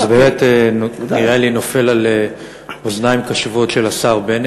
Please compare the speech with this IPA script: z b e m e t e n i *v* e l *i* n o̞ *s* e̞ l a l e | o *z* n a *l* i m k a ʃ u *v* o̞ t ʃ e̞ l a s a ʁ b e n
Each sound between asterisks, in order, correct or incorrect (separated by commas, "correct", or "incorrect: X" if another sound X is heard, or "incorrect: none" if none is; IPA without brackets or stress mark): incorrect: ʁ, correct, incorrect: f, correct, incorrect: none, correct